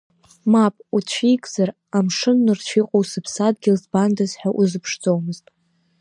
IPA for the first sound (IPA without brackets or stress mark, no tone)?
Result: m